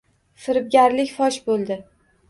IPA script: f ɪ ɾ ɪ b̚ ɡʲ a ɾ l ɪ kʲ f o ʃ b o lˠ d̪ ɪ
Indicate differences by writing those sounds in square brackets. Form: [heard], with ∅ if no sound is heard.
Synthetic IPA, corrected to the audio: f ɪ ɾ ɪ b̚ ɡʲ a ɾ l ɪ kʲ f [ɒ] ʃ b o lˠ d̪ ɪ